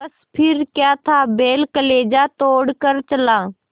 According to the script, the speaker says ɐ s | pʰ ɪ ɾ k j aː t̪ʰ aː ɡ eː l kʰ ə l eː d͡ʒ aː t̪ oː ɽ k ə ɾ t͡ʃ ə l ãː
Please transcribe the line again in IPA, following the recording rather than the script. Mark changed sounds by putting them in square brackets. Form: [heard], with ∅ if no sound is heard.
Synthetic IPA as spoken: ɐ s | pʰ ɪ ɾ k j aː t̪ʰ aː [b] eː l [k] ə l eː d͡ʒ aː t̪ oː ɽ k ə ɾ t͡ʃ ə l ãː